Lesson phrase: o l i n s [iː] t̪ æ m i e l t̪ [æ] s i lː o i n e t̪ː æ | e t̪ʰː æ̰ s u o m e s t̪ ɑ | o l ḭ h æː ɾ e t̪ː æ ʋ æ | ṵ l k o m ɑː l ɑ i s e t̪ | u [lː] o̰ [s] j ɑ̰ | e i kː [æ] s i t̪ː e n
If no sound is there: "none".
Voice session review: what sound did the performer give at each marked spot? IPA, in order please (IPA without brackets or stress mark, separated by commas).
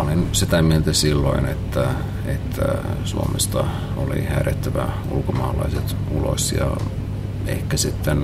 i, æ, l, s, æ